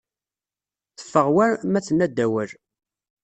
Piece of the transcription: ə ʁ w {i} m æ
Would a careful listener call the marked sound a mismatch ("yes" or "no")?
yes